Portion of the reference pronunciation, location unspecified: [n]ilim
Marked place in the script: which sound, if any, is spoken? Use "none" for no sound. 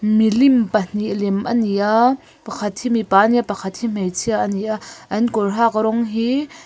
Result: m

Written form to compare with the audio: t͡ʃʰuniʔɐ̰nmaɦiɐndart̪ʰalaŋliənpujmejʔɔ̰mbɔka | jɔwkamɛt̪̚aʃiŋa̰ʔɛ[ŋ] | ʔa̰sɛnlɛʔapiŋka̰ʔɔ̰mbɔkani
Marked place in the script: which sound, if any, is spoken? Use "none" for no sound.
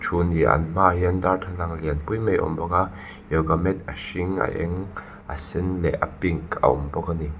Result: ŋ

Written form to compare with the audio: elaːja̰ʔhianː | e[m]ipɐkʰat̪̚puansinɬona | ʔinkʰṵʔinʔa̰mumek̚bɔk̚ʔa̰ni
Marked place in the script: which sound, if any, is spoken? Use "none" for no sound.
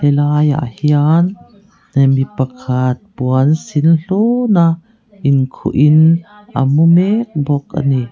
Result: m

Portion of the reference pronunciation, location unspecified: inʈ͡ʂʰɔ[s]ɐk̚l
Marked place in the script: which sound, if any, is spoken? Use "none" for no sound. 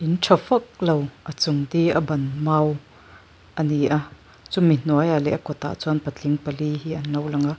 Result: f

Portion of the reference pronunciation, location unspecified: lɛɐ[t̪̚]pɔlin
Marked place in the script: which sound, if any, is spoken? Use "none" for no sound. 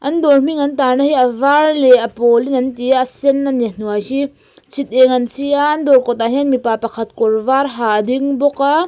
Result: none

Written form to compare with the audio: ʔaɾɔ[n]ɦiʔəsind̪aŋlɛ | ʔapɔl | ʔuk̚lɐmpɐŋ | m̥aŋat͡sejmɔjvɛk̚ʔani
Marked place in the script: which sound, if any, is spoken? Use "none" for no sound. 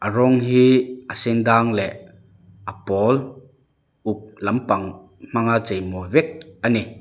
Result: ŋ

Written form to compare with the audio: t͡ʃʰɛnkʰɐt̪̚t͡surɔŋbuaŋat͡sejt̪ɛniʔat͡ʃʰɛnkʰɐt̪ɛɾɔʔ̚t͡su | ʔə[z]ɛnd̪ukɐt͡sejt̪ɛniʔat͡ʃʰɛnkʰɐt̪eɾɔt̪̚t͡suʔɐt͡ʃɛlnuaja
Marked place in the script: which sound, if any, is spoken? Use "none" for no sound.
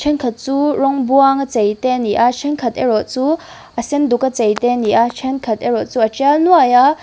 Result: s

